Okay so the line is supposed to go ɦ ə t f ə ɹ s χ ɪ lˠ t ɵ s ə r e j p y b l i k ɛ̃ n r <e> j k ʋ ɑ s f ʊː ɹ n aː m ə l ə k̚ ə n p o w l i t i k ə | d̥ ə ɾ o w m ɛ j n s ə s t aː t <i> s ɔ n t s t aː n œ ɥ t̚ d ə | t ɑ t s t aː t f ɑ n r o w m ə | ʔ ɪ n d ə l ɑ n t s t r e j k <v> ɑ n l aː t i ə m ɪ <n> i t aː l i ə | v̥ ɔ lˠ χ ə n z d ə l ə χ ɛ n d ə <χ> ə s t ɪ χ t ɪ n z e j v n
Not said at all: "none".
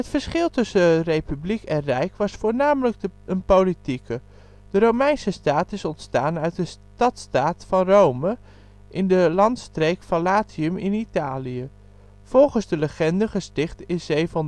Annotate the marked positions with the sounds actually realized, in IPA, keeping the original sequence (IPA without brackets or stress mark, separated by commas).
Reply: ɛ, ɪ, f, n, χ